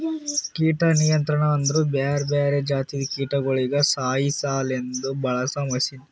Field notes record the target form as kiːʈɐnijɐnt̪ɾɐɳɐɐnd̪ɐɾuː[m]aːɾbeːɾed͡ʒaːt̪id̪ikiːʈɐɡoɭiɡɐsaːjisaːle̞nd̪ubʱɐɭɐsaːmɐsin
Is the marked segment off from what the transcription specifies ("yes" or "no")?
yes